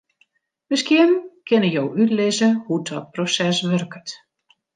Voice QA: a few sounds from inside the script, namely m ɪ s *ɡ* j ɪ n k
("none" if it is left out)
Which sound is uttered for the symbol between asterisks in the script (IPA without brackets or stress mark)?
k